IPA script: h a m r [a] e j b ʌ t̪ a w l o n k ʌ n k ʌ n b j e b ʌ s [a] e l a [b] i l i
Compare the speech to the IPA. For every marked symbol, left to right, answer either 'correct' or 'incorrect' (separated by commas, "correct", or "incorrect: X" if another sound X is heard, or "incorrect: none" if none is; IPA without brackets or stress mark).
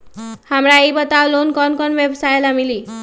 correct, correct, incorrect: m